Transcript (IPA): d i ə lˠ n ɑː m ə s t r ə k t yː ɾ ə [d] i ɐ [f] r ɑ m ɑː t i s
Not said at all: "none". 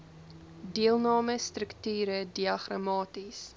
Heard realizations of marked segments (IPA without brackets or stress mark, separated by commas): d, χ